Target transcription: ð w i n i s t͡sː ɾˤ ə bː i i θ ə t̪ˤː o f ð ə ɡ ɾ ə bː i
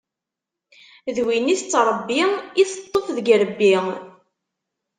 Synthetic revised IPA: ð w i n i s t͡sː ɾˤ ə bː i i θ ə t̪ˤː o f ð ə ɡ ɾ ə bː i